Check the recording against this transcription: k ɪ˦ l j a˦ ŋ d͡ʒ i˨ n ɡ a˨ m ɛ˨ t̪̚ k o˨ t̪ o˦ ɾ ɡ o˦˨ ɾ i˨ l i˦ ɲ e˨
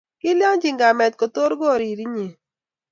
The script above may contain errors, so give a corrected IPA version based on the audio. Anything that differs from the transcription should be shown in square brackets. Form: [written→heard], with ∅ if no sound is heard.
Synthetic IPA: k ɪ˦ l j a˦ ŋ d͡ʒ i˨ [n→ŋ] ɡ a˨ m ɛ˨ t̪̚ k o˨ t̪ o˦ ɾ ɡ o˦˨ ɾ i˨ [l→ɾ] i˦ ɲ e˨